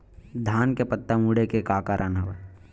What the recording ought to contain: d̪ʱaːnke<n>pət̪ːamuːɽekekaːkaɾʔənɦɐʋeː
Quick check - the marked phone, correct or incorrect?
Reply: incorrect